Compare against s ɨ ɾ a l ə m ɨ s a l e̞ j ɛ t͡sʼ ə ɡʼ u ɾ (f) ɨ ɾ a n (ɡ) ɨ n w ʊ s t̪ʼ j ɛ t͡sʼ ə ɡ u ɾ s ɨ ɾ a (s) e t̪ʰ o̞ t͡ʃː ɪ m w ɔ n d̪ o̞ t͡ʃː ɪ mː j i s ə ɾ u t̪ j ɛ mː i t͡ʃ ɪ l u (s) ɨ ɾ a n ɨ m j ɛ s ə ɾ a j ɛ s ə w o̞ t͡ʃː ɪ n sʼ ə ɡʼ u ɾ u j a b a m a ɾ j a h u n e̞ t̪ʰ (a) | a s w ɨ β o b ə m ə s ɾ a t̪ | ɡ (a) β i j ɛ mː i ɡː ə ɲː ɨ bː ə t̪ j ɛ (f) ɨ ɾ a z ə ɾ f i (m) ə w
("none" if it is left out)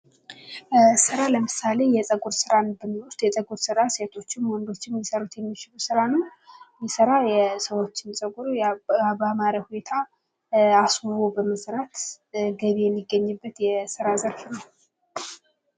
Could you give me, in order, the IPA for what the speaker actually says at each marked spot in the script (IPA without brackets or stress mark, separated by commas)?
s, b, s, s, a, ə, s, n